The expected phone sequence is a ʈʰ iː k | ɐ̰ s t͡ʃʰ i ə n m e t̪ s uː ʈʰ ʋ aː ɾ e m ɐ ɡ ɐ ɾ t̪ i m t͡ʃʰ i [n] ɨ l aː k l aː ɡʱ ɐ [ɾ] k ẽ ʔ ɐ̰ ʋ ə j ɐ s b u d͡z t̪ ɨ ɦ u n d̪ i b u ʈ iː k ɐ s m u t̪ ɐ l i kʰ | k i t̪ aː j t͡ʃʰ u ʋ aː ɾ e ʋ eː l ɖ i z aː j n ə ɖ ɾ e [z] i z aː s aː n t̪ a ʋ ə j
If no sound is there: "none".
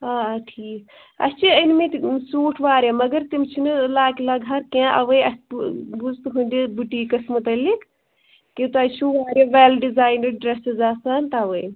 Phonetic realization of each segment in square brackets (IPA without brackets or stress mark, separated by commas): n, ɾ, s